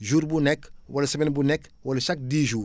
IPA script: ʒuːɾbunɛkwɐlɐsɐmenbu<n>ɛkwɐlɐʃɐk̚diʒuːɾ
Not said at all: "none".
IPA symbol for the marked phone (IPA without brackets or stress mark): n